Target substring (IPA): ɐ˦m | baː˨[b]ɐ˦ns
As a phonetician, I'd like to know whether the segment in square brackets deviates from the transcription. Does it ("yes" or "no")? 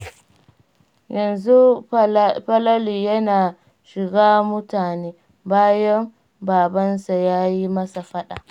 no